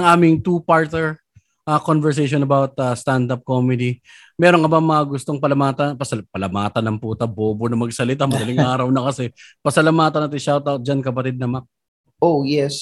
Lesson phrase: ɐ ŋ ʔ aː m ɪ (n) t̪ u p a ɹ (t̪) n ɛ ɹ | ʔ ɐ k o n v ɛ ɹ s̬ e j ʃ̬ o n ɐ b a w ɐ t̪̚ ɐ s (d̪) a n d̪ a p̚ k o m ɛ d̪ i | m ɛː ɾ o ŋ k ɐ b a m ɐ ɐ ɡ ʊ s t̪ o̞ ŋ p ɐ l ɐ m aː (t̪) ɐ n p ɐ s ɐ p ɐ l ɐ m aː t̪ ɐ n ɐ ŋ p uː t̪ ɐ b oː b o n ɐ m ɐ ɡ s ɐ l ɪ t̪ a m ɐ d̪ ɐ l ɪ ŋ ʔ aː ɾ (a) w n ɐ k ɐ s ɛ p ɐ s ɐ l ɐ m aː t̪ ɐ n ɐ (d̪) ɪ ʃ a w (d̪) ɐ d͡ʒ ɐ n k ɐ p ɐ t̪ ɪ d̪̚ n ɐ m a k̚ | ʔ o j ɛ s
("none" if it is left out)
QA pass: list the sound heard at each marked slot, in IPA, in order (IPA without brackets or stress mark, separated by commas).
ŋ, t̪, t̪, t̪, ɐ, t̪, t̪